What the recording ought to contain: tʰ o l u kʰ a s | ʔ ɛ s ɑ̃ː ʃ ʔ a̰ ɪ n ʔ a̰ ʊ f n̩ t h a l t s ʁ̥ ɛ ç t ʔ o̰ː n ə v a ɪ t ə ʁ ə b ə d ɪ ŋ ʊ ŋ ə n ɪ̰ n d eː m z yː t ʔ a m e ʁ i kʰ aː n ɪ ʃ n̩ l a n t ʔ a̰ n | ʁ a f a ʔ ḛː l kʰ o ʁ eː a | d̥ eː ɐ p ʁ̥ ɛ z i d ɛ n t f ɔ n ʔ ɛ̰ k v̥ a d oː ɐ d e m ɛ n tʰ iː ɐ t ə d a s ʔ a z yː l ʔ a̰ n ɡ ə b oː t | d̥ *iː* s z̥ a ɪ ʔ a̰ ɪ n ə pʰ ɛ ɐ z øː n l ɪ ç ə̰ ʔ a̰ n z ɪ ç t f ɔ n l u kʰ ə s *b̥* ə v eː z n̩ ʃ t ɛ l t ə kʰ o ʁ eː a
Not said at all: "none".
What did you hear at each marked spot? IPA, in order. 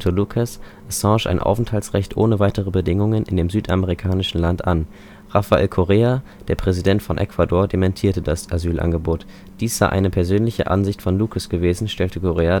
iː, ɡ̥

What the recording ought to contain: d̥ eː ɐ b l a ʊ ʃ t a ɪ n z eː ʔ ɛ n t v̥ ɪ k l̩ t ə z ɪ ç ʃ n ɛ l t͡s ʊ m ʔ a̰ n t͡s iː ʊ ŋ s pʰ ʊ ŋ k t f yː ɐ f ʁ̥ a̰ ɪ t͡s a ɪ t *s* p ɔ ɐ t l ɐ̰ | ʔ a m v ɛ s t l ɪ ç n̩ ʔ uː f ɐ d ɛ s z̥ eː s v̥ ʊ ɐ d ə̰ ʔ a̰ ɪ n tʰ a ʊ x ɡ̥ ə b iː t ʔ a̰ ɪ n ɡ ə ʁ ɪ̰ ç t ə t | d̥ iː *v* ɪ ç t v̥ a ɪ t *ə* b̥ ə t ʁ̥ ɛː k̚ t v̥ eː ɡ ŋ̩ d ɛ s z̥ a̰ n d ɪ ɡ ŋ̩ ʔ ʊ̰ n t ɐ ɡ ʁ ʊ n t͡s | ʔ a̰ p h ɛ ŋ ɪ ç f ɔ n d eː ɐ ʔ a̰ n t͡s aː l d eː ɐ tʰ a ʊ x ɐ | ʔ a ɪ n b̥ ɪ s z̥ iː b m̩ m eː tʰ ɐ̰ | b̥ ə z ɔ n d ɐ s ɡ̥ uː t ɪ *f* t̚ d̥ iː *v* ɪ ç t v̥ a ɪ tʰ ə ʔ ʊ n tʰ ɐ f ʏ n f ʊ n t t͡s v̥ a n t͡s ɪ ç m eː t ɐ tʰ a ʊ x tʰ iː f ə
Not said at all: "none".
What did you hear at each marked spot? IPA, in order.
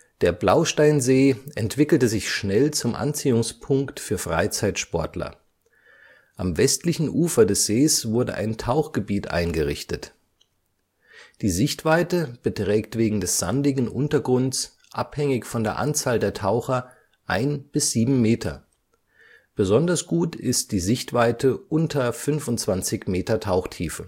ʃ, z, ə, s, z

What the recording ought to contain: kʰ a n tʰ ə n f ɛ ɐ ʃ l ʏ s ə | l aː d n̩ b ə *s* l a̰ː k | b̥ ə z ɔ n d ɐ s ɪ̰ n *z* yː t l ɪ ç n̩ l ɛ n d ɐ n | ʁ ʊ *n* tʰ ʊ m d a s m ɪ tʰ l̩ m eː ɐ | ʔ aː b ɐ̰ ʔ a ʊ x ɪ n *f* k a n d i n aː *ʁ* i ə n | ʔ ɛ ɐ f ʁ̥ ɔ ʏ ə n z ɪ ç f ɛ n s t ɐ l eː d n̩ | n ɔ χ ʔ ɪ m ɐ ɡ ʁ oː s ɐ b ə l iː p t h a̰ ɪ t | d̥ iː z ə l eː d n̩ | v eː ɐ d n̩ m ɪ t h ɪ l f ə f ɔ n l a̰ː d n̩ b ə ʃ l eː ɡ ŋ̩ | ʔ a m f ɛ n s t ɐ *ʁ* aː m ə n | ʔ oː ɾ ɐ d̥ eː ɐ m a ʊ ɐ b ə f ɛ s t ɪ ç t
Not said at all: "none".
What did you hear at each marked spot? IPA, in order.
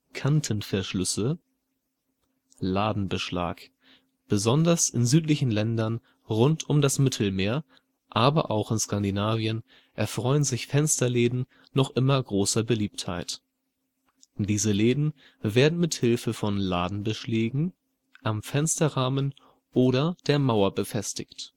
ʃ, z, n, s, v, ʁ

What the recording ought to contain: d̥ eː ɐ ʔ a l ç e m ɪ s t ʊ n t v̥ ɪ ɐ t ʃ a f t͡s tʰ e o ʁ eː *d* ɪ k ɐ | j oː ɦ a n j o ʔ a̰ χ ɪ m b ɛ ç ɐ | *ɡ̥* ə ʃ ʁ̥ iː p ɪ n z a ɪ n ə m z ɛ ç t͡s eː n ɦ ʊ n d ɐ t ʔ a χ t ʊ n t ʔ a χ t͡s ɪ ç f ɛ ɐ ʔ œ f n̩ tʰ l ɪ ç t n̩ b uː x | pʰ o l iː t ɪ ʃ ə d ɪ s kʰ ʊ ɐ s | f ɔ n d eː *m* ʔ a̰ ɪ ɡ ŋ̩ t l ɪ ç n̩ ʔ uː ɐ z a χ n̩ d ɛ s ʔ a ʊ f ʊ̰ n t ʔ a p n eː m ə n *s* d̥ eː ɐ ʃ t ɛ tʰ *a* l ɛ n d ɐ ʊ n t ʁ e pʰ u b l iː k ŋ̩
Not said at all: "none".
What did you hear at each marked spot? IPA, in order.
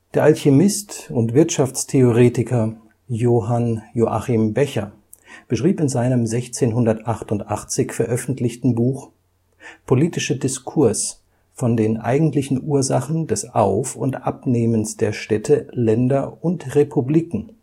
t, b̥, n, s, ə

